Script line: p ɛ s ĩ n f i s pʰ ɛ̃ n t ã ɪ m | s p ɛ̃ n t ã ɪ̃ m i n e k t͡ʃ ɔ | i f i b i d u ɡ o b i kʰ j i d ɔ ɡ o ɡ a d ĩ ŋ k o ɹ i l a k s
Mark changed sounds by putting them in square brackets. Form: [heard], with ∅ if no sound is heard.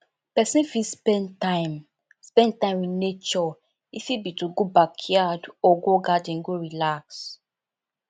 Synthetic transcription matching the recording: p ɛ s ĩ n f i s [p] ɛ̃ n t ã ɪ m | s p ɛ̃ n t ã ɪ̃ m i n e [∅] t͡ʃ ɔ | i f i b i [t] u ɡ o b [a] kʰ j [a] d ɔ ɡ o ɡ a d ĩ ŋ [ɡ] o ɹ i l a k s